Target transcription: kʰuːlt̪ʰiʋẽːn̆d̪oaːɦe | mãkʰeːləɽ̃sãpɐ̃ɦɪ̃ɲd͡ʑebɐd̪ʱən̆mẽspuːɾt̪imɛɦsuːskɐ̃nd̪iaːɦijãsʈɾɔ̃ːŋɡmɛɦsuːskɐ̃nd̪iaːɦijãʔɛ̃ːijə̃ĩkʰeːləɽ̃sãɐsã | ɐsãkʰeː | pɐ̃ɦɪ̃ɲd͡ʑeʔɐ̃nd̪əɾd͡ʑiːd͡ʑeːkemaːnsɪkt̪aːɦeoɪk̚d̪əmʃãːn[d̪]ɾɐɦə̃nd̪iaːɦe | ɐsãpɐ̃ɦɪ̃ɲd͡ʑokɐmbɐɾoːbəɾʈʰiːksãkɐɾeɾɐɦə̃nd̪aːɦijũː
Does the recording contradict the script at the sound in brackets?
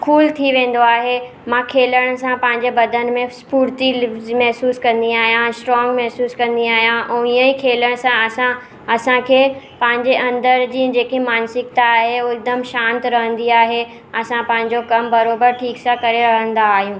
yes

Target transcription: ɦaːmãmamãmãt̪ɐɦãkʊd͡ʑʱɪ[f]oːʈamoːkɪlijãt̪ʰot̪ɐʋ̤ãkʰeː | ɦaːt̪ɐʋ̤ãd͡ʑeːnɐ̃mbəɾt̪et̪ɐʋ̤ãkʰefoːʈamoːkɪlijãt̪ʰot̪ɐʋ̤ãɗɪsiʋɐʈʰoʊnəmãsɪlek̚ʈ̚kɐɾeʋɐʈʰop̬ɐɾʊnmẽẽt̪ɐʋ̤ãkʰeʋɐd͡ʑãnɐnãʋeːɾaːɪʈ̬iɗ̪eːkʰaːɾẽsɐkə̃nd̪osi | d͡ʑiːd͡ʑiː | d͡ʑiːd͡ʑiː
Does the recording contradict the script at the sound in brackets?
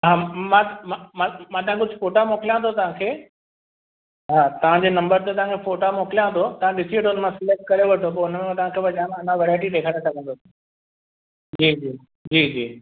no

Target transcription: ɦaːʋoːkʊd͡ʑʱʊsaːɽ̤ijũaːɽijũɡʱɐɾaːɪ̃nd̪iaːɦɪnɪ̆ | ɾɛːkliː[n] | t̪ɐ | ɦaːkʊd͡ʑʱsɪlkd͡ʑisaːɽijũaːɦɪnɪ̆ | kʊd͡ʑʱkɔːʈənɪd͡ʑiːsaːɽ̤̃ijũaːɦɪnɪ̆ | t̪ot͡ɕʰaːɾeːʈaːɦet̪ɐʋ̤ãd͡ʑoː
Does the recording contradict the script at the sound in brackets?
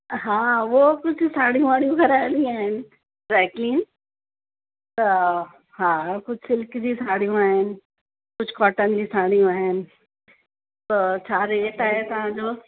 no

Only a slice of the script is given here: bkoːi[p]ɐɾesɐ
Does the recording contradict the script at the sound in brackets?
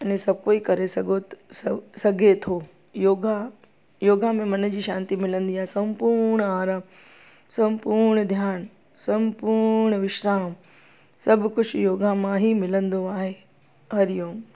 yes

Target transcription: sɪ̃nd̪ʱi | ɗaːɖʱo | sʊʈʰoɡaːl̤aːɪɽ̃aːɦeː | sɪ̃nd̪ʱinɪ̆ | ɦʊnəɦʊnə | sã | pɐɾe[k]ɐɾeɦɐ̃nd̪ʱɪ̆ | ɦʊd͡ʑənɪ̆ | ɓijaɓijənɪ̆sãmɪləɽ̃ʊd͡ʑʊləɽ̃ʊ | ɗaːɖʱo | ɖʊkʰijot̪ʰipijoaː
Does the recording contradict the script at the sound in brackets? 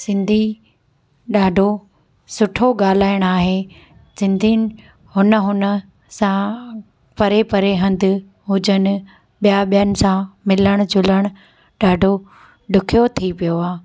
yes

